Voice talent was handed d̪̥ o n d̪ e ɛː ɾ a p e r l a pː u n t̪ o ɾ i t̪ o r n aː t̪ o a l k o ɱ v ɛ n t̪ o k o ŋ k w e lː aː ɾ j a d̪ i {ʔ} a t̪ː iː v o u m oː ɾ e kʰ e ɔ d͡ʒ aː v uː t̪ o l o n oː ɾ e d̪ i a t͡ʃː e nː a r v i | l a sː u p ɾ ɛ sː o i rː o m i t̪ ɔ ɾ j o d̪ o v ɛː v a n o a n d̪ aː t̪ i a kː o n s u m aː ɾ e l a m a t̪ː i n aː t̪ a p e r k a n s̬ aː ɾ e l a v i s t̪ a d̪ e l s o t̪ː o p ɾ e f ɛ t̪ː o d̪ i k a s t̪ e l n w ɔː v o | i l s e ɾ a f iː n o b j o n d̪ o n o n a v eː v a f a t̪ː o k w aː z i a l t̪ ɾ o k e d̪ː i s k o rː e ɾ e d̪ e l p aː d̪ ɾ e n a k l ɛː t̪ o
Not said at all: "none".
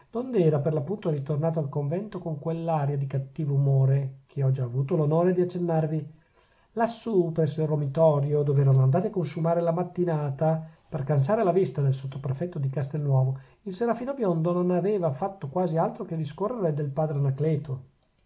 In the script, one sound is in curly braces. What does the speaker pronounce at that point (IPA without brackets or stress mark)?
k